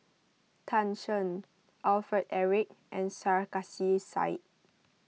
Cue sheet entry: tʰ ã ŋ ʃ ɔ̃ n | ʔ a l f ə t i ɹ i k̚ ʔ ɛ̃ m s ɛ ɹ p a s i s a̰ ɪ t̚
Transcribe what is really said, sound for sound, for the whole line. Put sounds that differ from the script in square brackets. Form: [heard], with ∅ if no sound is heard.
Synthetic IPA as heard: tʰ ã [n] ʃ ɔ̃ n | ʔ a l f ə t [ɛ] ɹ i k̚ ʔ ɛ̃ [n] s [a] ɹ [k] a s i s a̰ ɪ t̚